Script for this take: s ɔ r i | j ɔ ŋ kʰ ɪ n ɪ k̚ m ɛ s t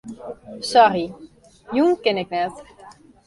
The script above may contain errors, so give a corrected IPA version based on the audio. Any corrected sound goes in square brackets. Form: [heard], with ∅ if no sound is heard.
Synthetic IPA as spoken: s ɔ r i | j [u] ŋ [k] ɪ n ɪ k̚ [n] ɛ [∅] t